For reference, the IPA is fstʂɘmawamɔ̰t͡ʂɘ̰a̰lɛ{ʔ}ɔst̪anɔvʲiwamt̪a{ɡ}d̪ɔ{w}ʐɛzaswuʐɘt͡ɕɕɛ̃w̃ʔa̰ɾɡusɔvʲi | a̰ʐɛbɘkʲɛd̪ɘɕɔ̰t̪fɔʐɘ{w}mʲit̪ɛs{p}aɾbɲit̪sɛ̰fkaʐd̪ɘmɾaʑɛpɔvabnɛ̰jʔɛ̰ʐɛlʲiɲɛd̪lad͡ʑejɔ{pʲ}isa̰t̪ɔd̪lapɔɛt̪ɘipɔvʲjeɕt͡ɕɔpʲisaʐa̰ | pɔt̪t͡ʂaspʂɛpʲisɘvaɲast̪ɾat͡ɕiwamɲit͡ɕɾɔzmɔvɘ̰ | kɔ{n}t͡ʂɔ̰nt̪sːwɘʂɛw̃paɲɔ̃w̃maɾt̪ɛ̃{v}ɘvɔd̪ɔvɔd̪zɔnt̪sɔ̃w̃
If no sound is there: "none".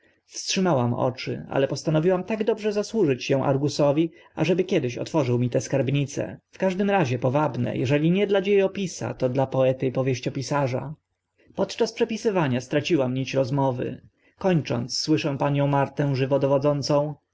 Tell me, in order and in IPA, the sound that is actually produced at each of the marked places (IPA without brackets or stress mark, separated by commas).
p, ɡ, b, w, k, pʲ, ɲ, ʐ